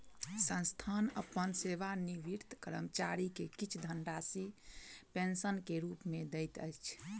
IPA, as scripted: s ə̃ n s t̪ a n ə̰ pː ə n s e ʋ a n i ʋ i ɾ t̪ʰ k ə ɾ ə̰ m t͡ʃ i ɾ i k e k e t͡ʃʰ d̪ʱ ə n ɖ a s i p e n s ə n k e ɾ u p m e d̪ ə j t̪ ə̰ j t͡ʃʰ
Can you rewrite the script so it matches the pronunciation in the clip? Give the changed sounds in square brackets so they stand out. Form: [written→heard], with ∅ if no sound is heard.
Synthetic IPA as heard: s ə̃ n s [t̪→t̪ʰ] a n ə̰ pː ə n s e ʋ a n i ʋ i ɾ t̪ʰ k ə ɾ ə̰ m t͡ʃ [i→a] ɾ i k e k [e→i] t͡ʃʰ d̪ʱ ə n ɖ a s i p e n s ə n k e ɾ u p m e d̪ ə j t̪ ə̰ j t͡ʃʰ